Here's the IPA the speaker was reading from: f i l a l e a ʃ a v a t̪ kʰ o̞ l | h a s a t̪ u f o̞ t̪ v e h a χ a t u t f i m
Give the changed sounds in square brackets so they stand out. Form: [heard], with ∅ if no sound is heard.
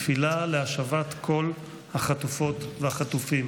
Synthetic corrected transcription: f i l a l e a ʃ a v a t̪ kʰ o̞ l | h a [χ] a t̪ u f o̞ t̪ v e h a χ a t u [∅] f i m